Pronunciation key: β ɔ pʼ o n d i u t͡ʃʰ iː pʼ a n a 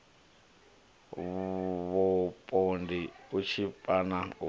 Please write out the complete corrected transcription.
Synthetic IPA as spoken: β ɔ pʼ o n d i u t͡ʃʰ i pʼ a n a